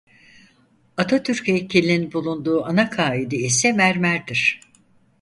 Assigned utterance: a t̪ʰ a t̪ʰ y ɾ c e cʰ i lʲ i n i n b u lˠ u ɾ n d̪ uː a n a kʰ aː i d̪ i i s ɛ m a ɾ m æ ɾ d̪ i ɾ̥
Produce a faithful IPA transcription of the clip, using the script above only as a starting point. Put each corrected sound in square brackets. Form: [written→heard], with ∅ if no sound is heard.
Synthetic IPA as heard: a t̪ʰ a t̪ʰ y ɾ c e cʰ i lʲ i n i n b u lˠ u [ɾ→∅] n d̪ uː a n a kʰ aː i d̪ i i s ɛ m [a→æ] ɾ m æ ɾ d̪ i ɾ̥